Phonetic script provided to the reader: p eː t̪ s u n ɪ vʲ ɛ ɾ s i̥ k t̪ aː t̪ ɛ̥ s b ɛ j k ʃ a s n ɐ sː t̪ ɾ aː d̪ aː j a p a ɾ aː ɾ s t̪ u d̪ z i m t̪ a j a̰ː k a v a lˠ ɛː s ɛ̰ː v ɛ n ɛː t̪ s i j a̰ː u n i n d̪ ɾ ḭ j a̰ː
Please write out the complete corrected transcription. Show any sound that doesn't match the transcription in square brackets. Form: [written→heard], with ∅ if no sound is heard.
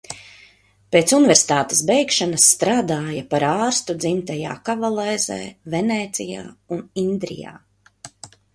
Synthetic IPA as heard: p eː t̪ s u n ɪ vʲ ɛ ɾ s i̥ [k→∅] t̪ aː t̪ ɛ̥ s b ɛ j k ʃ a [s→∅] n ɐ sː t̪ ɾ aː d̪ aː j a p a ɾ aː ɾ s t̪ u d̪ z i m t̪ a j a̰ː k a v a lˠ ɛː [s→z] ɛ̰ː v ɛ n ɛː t̪ s i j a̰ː u n i n d̪ ɾ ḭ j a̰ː

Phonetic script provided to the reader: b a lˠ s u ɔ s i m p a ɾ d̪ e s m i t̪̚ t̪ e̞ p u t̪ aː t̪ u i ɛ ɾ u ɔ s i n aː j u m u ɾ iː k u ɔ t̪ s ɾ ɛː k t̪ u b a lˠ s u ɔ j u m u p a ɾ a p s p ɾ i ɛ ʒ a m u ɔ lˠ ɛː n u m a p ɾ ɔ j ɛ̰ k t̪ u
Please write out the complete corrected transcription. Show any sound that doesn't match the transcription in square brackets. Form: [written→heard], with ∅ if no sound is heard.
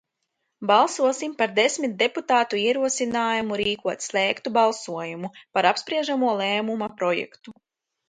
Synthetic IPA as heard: b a lˠ s u ɔ s i m p a ɾ d̪ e s m i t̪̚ [t̪→d̪] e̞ p u t̪ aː t̪ u i ɛ ɾ u ɔ s i n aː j u m u ɾ iː k u ɔ t̪ s [ɾ→l] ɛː k t̪ u b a lˠ s u ɔ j u m u p a ɾ a p s p ɾ i ɛ ʒ a m u ɔ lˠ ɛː [n→m] u m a p ɾ ɔ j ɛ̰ k t̪ u

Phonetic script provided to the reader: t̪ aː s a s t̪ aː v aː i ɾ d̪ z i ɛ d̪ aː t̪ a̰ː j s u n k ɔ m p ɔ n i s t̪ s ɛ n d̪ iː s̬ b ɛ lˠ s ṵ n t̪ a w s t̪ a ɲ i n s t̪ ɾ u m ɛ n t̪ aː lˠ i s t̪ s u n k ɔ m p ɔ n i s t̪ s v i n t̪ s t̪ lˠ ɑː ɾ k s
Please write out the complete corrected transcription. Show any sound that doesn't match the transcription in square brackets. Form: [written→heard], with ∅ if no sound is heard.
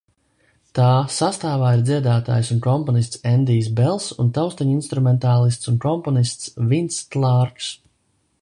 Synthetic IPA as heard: t̪ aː s a s t̪ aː v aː i ɾ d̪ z i ɛ d̪ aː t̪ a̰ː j s u n k ɔ m p ɔ n i s t̪ s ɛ n d̪ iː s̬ b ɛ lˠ s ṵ n t̪ a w s t̪ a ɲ i n s t̪ ɾ u m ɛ n t̪ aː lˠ i s t̪ s u n k ɔ m p ɔ n i s t̪ s v i n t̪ s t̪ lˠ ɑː ɾ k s

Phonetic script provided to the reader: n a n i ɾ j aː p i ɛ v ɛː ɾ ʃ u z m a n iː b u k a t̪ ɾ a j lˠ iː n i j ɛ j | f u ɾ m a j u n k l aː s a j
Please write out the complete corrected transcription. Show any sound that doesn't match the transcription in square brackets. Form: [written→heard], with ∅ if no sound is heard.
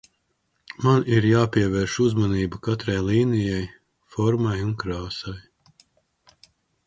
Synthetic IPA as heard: [n→m] a n i ɾ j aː p i ɛ v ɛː ɾ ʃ u z m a n iː b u k a t̪ ɾ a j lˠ iː n i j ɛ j | f [u→ɔ] ɾ m a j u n k [l→ɾ] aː s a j

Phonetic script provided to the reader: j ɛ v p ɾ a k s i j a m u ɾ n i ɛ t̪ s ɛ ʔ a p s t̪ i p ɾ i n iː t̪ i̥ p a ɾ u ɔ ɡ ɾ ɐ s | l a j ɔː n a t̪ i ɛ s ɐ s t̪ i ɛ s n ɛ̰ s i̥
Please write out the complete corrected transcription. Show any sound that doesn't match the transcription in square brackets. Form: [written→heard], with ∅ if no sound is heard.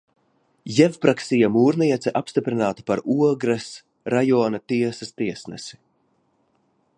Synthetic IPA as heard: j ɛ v p ɾ a k s i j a m [u→uː] ɾ n i ɛ t̪ s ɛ ʔ a p s t̪ i p ɾ i n [iː→aː] t̪ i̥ p a ɾ u ɔ ɡ ɾ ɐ s | [l→ɾ] a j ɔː n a t̪ i ɛ s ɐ s t̪ i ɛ s n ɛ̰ s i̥

